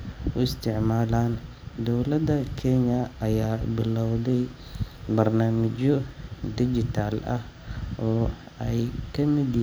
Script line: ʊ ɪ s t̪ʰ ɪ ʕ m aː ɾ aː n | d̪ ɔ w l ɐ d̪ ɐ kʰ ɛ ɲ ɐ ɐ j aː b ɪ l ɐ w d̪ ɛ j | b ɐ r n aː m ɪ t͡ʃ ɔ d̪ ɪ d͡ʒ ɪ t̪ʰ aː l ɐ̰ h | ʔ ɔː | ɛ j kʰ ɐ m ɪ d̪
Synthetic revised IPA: ʊ ɪ s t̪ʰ ɪ ʕ m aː l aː n | d̪ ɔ w l ɐ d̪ ɐ kʰ ɛ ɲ ɐ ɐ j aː b ɪ l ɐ w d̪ ɛ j | b ɐ r n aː m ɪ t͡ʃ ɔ d̪ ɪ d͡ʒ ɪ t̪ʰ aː l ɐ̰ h | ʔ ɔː | ɛ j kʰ ɐ m ɪ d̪